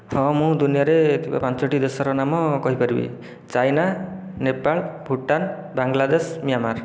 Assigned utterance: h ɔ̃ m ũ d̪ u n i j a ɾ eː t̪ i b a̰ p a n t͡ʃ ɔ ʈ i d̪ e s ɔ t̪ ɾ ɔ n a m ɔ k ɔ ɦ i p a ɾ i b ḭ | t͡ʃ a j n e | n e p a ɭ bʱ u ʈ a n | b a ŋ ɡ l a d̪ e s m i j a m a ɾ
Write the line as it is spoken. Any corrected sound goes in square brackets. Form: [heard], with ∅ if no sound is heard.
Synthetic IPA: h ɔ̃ m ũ d̪ u n i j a ɾ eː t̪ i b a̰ p a n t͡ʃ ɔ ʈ i d̪ e s ɔ [∅] ɾ ɔ n a m ɔ k ɔ ɦ i p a ɾ i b ḭ | t͡ʃ a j n [a] | n e p a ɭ bʱ u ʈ a n | b a ŋ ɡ l a d̪ e s m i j a m a ɾ